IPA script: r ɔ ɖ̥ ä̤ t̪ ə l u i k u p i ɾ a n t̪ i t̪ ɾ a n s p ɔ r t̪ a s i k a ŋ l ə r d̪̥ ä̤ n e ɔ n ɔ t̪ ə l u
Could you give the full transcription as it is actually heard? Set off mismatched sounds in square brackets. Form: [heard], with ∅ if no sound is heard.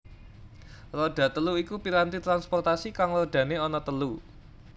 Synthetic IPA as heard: r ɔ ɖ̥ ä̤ t̪ ə l u i k u p i ɾ a n t̪ i t̪ ɾ a n s p ɔ r t̪ a s i k a ŋ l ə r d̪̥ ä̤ n e ɔ n ɔ t̪ ə l u